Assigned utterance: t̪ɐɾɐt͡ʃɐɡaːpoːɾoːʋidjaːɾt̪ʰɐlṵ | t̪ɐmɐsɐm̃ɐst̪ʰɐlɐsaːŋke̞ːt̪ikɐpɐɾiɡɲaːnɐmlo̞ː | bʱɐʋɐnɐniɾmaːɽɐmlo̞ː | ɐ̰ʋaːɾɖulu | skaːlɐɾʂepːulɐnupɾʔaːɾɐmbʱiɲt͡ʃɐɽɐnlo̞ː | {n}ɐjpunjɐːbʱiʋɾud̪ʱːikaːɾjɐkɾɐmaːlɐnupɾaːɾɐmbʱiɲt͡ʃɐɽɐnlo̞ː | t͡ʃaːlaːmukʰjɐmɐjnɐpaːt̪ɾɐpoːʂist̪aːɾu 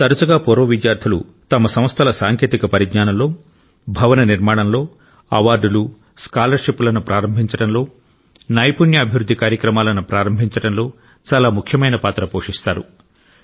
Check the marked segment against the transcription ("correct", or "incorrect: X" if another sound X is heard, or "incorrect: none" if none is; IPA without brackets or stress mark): correct